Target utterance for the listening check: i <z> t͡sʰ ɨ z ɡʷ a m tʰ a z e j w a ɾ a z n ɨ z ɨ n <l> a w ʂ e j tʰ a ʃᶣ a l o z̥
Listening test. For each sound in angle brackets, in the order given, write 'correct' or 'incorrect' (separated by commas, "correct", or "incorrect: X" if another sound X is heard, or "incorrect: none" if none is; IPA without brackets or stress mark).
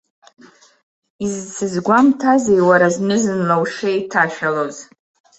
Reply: correct, correct